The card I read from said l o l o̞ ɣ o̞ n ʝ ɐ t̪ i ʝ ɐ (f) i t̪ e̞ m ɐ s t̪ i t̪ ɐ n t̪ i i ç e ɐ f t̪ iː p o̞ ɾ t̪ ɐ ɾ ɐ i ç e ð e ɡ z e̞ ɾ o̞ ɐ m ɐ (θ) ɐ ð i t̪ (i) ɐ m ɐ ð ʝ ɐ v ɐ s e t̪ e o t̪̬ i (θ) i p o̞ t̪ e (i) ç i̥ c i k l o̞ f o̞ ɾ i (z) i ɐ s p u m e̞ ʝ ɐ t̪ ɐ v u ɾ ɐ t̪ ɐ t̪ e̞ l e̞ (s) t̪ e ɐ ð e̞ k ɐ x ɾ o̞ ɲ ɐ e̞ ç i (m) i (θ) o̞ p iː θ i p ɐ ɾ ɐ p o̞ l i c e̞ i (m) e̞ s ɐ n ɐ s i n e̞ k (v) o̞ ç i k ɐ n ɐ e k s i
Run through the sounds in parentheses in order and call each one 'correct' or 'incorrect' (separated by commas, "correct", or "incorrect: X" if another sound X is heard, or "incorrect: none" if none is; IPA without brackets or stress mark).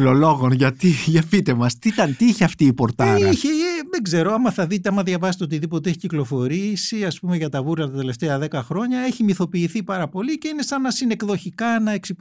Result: correct, correct, incorrect: e, incorrect: ð, incorrect: e, incorrect: s, incorrect: f, correct, correct, incorrect: n, incorrect: ð